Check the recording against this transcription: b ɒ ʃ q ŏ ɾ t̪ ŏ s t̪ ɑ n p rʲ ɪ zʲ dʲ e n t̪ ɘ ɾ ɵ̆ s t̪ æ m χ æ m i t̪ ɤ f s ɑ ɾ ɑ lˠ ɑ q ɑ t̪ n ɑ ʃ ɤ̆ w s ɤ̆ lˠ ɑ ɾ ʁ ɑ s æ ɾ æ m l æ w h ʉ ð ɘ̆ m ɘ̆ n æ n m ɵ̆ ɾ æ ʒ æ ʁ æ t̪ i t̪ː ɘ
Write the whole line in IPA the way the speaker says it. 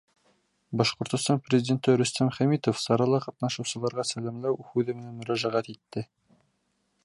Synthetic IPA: b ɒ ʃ q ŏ ɾ t̪ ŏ s t̪ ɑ n p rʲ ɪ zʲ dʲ e n t̪ ɘ ɾ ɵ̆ s t̪ æ m χ æ m i t̪ o f s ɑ ɾ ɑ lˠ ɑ q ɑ t̪ n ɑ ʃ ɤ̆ w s ɤ̆ lˠ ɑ ɾ ʁ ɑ s æ l æ m l æ w h ʉ ð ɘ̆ m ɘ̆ n æ n m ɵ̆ ɾ æ ʒ æ ʁ æ t̪ i t̪ː ɘ